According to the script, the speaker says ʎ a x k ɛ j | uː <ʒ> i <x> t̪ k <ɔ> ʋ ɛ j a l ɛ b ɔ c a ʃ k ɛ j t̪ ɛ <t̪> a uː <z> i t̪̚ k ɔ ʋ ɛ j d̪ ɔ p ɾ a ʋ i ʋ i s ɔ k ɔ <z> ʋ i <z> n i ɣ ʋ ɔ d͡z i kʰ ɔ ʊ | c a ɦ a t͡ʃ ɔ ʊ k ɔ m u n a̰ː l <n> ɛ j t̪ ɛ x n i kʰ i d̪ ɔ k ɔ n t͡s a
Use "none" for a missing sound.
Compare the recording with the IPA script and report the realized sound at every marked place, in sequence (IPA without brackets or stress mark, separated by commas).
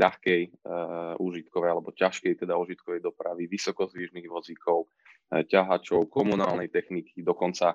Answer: ʒ, none, ɔ, d̪, ʒ, z, ʒ, n